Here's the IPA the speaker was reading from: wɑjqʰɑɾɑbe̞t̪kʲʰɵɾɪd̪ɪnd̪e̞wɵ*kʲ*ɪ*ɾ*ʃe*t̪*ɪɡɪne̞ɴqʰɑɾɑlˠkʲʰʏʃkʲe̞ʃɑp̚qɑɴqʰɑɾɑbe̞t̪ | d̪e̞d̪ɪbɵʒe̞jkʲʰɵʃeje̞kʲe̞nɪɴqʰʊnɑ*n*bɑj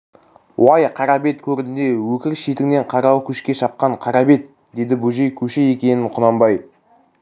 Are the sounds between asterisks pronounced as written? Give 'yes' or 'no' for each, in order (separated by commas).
yes, yes, yes, no